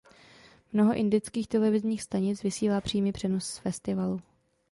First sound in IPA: m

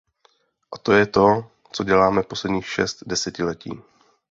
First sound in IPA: ʔ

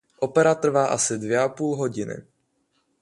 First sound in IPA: ʔ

